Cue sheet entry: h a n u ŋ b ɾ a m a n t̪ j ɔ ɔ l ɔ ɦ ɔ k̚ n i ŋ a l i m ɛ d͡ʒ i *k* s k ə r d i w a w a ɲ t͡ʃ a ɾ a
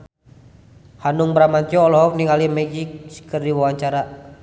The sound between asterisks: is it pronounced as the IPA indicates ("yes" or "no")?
yes